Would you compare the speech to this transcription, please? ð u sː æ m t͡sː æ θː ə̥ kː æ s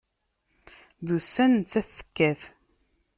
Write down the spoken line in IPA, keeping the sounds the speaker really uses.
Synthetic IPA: ð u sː æ n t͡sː æ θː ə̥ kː æ θ